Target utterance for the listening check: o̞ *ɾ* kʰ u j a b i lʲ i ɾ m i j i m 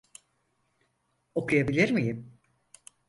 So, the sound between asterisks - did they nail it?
no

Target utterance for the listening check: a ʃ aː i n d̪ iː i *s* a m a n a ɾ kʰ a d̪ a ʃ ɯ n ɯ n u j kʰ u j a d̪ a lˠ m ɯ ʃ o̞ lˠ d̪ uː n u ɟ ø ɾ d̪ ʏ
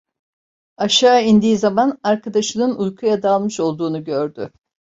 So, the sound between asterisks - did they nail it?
no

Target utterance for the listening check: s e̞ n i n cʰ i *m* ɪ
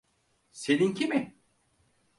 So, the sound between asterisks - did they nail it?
yes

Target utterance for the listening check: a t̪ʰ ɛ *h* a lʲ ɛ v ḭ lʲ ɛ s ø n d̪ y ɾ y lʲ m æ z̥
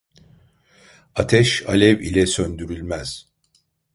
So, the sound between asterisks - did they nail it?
no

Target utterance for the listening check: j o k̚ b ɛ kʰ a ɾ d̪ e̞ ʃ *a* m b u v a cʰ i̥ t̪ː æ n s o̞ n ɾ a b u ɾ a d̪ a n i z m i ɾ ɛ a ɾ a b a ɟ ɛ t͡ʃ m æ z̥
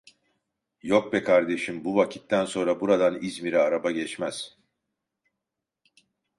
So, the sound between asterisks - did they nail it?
no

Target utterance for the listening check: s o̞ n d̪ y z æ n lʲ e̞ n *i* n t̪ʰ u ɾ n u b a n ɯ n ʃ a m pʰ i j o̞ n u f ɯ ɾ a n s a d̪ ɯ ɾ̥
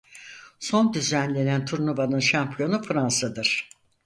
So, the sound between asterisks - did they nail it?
no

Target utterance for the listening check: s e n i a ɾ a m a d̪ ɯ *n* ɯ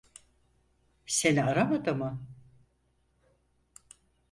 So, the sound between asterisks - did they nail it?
no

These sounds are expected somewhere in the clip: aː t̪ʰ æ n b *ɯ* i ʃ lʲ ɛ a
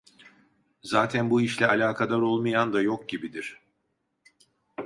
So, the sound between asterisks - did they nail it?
no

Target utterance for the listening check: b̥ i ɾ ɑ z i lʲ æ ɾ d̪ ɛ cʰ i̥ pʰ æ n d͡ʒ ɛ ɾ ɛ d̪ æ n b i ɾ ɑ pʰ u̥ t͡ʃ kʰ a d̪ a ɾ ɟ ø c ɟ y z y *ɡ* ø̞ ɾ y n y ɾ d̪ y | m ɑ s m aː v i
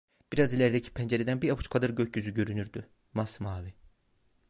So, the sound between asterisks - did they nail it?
no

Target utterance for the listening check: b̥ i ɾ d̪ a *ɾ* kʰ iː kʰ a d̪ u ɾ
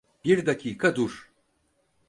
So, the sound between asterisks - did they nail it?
no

